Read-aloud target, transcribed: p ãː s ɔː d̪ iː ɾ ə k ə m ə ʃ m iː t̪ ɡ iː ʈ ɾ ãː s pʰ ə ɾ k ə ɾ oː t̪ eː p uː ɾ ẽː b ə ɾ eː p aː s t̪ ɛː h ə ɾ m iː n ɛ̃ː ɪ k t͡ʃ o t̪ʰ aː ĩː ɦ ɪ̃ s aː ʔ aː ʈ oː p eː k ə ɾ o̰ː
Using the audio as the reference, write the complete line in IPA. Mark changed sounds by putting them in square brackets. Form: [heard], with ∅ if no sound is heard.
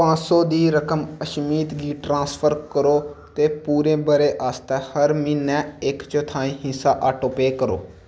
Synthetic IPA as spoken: p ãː s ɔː d̪ iː ɾ ə k ə m ə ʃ m iː t̪ ɡ iː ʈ ɾ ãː s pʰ ə ɾ k ə ɾ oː t̪ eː p uː ɾ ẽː b ə ɾ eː [ʔ] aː s t̪ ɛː h ə ɾ m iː n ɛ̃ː ɪ k t͡ʃ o t̪ʰ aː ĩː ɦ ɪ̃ s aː ʔ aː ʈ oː p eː k ə ɾ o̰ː